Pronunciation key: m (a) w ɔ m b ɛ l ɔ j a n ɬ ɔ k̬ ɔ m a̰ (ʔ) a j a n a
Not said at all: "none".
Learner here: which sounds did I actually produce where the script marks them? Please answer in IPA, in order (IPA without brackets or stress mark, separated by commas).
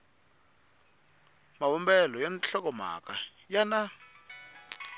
a, k